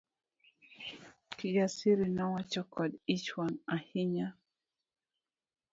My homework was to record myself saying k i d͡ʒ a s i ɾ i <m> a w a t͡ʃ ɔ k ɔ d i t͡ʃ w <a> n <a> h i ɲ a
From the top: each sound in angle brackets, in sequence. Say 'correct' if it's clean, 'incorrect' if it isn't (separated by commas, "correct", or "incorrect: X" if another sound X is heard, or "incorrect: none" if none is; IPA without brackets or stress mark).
incorrect: n, correct, correct